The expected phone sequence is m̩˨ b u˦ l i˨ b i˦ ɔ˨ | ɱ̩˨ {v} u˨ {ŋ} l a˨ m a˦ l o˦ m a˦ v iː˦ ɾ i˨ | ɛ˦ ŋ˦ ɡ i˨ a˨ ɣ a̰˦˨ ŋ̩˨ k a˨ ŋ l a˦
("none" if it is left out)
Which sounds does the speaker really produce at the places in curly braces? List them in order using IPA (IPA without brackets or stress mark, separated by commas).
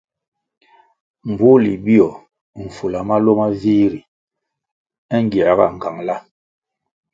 f, none